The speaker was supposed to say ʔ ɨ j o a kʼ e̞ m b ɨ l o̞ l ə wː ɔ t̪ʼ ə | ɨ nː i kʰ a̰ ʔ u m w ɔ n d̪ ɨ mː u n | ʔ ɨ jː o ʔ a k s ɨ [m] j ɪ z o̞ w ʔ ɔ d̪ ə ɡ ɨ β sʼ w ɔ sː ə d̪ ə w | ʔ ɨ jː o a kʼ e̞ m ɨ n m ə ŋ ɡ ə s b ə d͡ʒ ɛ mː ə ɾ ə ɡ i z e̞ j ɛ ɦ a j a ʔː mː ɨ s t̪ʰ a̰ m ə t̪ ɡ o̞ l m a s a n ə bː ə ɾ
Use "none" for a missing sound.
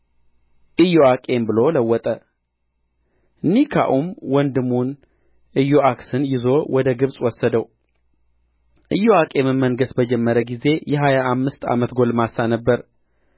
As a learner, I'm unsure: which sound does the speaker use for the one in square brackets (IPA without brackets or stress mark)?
n